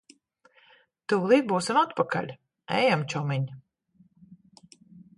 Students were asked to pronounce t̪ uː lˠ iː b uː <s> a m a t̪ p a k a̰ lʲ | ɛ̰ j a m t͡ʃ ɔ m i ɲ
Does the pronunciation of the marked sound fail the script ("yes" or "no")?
no